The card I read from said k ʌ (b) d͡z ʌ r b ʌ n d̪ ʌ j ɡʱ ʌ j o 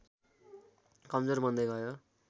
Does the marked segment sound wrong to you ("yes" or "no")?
yes